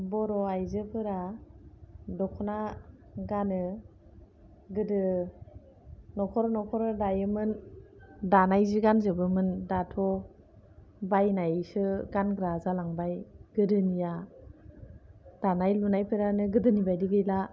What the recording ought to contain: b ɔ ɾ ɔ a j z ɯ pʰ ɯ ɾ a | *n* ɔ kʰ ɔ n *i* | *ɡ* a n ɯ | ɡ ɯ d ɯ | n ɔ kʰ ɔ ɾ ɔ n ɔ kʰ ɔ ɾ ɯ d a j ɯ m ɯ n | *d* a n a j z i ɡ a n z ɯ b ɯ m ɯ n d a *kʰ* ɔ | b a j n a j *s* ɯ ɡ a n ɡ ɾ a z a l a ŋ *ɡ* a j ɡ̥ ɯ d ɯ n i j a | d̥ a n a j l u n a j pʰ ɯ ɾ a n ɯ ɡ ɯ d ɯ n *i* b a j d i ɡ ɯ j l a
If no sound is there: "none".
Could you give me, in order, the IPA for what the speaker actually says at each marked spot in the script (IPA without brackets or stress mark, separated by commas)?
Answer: d, a, ɡ, d, tʰ, s, b, i